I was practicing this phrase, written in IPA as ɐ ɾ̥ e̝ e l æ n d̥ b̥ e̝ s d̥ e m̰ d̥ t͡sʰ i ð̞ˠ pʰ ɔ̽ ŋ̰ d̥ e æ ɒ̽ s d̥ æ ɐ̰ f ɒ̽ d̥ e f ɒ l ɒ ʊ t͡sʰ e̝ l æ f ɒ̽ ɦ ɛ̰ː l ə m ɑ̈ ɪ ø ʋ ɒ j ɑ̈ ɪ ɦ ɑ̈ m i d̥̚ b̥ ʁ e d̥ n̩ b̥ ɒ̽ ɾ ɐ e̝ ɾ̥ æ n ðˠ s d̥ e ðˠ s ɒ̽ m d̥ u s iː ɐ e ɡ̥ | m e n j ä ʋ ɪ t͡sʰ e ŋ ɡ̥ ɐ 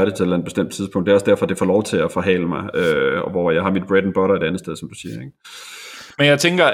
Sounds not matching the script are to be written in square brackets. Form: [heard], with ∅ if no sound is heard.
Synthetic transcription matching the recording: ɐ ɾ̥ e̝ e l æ n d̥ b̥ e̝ s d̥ e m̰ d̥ t͡sʰ i ð̞ˠ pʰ ɔ̽ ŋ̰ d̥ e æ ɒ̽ s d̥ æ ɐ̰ f ɒ̽ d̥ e f ɒ l ɒ ʊ t͡sʰ e̝ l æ f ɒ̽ ɦ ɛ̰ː l ə m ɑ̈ ɪ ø ʋ ɒ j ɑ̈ ɪ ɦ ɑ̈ m i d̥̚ b̥ ʁ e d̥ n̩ b̥ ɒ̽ ɾ ɐ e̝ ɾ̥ æ n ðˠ s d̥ e ðˠ s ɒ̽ m d̥ u s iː ɐ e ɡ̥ | m e n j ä [∅] ɪ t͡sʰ e ŋ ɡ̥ ɐ